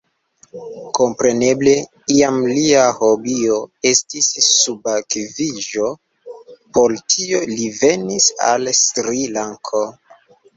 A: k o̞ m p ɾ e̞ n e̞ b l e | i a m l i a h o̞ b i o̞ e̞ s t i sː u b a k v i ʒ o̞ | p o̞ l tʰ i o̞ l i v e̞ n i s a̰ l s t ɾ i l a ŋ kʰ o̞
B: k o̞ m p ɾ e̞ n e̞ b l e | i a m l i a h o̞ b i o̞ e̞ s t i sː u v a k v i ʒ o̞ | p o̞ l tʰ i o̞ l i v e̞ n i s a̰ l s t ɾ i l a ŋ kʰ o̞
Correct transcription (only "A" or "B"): A